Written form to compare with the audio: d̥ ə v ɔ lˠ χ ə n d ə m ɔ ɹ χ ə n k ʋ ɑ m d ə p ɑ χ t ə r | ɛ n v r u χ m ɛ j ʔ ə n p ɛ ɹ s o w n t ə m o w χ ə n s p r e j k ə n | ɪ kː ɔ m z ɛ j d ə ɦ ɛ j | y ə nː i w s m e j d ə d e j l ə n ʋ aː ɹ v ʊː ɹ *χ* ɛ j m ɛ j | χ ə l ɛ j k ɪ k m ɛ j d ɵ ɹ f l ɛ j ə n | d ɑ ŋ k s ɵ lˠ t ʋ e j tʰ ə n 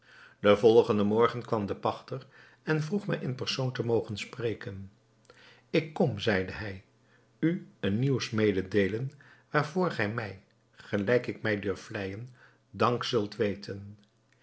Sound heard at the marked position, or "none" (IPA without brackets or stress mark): χ